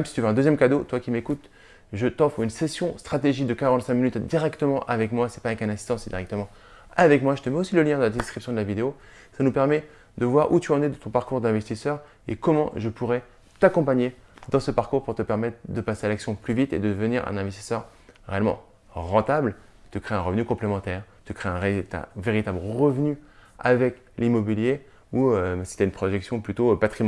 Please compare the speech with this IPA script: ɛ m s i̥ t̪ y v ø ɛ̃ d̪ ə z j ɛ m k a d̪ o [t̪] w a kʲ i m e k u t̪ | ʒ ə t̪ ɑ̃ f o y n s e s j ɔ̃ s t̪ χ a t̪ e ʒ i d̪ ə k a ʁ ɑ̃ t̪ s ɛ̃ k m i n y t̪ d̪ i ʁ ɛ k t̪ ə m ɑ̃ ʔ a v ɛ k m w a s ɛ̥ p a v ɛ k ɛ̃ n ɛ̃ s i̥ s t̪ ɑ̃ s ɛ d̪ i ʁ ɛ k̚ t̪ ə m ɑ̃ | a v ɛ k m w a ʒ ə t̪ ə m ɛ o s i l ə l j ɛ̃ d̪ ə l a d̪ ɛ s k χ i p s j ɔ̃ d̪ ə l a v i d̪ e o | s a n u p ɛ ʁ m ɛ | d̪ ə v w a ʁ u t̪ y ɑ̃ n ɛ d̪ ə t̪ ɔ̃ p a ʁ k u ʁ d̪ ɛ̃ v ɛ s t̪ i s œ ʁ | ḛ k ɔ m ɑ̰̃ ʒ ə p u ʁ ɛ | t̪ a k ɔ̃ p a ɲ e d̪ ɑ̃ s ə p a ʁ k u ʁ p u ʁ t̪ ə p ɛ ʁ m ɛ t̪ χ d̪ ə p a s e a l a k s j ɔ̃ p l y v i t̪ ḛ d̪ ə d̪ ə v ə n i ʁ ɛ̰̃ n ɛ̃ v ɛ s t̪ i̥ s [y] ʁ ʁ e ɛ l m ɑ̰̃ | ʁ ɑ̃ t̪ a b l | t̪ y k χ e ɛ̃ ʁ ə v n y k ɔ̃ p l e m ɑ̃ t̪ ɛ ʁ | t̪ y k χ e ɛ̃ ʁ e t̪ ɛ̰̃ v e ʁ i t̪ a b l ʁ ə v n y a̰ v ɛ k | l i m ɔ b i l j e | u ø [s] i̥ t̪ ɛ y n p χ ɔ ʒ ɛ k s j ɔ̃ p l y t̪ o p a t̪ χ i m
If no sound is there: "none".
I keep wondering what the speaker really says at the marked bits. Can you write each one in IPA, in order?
t̪, œ, s

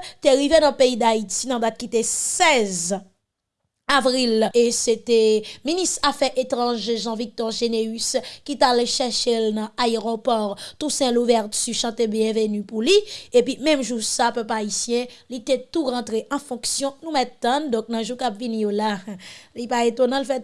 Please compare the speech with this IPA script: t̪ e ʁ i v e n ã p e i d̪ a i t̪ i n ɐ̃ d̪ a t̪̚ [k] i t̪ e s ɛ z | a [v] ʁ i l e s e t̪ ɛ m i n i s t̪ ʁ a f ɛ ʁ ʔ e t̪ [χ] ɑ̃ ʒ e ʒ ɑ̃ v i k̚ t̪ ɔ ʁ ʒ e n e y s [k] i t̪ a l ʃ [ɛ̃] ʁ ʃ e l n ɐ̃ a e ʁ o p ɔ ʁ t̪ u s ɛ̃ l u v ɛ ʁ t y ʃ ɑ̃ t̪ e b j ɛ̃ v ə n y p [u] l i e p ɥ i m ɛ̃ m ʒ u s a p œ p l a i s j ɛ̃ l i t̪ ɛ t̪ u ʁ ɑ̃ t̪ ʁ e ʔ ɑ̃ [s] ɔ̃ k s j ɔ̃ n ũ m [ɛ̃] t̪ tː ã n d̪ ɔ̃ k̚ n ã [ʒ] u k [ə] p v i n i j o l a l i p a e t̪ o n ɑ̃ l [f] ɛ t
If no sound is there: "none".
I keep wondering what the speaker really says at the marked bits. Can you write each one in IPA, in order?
k, v, ʁ, k, ɛ, u, f, ɛ, ʒ, a, f

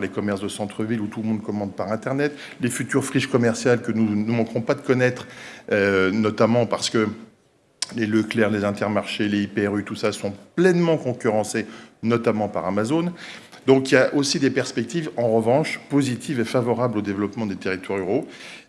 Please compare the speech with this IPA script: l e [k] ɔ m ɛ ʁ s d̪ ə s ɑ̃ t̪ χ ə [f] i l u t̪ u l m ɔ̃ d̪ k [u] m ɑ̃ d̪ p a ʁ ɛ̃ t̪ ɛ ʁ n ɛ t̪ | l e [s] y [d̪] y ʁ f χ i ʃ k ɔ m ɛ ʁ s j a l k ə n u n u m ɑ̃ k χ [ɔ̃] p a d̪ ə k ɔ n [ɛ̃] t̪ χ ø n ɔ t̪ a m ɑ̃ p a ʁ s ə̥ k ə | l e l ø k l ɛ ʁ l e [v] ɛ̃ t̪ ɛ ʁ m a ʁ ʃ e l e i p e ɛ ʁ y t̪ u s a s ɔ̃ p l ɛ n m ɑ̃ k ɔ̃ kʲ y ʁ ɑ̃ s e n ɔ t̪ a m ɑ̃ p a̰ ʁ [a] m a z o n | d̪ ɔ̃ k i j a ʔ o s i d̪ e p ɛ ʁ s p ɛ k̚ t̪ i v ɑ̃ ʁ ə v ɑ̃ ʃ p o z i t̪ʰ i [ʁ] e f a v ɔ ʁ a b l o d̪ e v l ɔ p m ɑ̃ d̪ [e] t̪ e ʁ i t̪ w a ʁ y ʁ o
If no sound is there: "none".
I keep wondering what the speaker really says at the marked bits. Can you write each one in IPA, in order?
k, v, ɔ, f, t̪, ɔ̃, ɛ, z, a, v, e

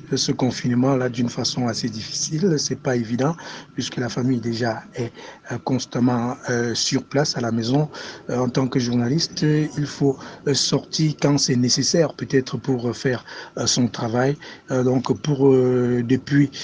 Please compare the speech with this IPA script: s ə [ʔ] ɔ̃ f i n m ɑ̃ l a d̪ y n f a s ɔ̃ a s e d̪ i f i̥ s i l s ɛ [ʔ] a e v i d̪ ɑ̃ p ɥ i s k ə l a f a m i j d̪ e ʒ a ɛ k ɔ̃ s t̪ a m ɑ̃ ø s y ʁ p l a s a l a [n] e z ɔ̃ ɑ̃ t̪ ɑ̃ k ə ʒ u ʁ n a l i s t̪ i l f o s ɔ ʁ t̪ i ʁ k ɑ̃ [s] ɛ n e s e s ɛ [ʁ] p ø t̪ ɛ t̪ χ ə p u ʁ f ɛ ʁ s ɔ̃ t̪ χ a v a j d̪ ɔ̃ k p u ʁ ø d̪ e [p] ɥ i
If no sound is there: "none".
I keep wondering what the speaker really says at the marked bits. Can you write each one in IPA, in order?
k, p, m, s, ʁ, p

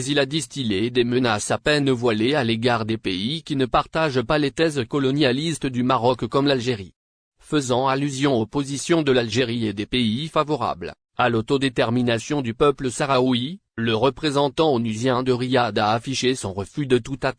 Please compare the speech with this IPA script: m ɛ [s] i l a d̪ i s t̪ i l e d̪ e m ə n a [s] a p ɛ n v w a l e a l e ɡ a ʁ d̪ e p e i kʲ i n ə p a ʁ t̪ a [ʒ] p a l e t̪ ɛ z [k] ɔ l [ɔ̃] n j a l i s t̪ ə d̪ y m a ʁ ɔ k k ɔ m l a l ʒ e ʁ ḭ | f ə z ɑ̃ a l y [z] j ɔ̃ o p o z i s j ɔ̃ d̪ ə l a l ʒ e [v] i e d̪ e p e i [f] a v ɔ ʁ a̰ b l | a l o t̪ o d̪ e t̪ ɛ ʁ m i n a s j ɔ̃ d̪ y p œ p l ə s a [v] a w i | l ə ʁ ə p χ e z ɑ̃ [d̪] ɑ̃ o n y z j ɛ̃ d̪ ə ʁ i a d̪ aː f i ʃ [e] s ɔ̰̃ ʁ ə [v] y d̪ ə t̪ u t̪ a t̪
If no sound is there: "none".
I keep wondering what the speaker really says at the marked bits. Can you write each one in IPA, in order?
z, s, ʒ, k, ɔ, z, ʁ, f, ʁ, t̪, e, f

